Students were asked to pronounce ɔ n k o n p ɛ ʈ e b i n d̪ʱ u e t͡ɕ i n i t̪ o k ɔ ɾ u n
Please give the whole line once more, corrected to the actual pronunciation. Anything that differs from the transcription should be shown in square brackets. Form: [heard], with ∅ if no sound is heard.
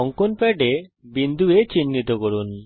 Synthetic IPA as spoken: ɔ [ŋ] k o n p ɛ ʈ e b i n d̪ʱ u e t͡ɕ i [nː] i t̪ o k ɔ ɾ u n